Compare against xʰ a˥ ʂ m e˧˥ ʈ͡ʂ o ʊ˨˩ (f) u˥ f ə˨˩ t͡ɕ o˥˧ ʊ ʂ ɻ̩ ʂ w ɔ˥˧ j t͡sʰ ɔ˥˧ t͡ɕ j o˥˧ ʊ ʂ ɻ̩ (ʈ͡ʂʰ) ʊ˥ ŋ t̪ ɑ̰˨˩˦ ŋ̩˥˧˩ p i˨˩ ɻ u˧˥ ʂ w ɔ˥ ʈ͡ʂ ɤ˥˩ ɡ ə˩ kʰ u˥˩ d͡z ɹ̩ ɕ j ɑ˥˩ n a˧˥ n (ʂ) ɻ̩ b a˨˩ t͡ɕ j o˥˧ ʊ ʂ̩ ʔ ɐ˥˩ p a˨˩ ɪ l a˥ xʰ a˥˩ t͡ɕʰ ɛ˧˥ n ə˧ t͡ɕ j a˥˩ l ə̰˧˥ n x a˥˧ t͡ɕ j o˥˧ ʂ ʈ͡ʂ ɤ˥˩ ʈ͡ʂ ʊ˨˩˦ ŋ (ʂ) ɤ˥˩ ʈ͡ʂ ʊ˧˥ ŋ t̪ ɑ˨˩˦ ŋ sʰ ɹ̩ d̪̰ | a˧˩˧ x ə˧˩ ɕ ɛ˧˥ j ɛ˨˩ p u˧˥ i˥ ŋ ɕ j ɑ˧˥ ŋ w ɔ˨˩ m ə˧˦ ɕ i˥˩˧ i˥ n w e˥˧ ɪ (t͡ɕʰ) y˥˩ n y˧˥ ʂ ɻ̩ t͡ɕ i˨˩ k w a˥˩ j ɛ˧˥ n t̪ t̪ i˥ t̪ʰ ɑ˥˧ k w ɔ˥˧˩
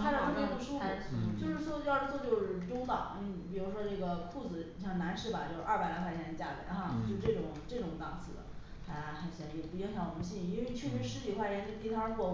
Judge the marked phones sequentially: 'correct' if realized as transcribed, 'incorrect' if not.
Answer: incorrect, incorrect, correct, incorrect, correct

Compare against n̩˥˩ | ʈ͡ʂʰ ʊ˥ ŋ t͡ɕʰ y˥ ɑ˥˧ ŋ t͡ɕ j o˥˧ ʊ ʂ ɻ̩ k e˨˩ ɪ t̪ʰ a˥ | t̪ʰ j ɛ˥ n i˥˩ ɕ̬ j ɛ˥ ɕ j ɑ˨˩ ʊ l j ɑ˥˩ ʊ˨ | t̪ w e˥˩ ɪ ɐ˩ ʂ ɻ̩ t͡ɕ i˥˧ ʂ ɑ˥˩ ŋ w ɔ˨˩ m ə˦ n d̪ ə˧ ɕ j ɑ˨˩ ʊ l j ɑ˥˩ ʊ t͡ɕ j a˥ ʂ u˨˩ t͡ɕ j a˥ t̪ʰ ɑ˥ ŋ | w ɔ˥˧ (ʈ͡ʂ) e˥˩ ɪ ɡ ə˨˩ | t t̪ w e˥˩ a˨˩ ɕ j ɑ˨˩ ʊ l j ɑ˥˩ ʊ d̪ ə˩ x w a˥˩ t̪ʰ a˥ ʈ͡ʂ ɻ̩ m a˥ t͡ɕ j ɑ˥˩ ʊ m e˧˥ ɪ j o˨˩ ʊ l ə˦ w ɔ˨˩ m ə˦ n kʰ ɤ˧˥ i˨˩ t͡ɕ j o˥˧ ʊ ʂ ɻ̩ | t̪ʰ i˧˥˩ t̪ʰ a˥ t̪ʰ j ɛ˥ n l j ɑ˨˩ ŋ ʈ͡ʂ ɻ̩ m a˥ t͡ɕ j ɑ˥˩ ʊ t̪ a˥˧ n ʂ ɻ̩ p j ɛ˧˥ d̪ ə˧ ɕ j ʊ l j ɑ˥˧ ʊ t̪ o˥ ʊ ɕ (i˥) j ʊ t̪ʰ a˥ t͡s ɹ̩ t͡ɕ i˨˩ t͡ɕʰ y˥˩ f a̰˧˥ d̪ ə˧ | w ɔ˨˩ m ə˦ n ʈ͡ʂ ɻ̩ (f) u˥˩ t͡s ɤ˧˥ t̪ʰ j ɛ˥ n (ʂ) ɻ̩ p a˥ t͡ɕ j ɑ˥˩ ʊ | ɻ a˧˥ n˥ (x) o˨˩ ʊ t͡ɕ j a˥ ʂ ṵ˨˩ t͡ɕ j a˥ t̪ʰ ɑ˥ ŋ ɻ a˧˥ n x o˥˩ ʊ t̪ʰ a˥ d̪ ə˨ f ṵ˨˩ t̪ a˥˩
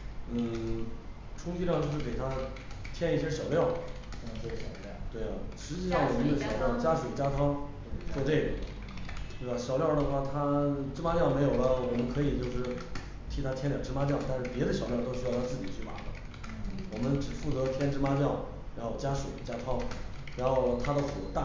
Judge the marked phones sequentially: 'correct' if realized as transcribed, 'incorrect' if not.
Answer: correct, incorrect, correct, incorrect, correct

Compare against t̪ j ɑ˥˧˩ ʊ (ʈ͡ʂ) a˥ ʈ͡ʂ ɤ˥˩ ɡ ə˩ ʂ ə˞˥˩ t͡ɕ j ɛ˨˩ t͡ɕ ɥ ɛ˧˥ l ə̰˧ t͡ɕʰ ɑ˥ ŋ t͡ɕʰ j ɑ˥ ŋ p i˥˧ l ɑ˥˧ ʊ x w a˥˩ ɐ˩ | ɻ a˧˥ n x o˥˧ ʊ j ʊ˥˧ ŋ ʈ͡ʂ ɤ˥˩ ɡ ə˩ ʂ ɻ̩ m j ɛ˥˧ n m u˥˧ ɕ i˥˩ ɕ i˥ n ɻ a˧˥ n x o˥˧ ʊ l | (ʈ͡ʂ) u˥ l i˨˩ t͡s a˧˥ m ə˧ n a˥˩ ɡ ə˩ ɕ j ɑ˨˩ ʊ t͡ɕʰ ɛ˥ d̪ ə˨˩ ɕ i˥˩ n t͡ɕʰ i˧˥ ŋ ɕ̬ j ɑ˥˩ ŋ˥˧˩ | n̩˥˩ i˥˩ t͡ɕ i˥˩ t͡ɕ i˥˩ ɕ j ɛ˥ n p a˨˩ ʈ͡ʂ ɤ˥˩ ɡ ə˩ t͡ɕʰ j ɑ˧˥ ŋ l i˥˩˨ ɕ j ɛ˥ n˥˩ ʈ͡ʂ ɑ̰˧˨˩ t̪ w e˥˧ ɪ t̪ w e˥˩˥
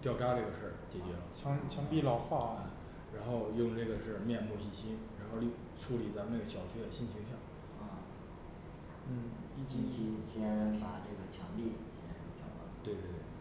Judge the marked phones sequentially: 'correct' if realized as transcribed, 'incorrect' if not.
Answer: correct, incorrect

